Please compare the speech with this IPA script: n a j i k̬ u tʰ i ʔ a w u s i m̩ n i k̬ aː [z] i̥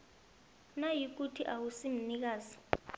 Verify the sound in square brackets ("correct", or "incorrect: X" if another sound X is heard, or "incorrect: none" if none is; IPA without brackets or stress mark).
correct